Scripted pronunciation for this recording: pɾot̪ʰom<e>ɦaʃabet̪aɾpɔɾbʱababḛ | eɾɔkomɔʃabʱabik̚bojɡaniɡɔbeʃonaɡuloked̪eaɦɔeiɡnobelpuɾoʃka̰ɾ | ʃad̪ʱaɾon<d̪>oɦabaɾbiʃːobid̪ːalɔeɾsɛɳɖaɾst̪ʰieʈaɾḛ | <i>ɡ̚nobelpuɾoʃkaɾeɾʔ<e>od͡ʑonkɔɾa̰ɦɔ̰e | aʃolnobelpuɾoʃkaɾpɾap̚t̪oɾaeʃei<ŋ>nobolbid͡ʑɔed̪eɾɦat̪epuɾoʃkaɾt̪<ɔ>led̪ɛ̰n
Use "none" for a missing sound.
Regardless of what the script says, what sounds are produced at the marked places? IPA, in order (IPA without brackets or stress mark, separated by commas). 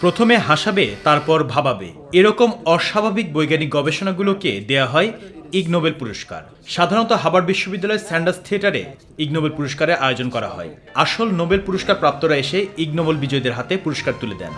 e, t̪, i, a, ɡ, u